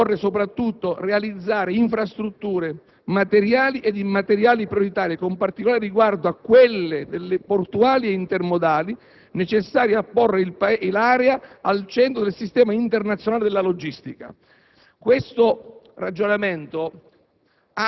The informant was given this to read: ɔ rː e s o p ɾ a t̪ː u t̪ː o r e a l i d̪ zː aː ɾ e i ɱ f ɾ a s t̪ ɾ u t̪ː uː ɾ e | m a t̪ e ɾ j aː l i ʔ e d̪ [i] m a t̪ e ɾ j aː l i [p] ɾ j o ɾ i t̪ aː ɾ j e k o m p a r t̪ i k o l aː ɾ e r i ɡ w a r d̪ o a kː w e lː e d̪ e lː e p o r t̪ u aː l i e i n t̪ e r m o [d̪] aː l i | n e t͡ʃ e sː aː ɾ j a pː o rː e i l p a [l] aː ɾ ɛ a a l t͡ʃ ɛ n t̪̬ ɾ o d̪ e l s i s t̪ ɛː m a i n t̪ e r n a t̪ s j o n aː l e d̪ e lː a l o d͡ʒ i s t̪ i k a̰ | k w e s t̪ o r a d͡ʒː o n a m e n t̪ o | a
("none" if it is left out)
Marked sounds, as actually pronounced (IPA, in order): i, p, d̪, l

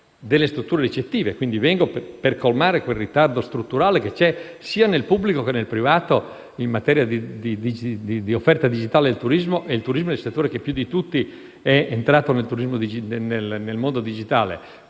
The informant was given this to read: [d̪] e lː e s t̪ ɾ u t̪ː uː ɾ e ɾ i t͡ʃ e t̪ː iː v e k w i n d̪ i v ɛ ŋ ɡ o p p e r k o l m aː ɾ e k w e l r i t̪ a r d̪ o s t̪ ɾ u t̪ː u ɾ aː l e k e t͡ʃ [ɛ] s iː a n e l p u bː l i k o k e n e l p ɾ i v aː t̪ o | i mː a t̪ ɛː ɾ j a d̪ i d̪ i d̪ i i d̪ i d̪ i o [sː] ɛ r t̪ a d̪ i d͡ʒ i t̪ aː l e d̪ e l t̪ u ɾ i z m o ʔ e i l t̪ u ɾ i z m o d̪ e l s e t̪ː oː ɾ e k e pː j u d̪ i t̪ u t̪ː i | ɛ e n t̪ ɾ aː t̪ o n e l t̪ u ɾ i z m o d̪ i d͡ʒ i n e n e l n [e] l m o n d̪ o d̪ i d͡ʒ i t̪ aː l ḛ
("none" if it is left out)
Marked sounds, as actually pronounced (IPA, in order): d̪, ɛ, fː, e

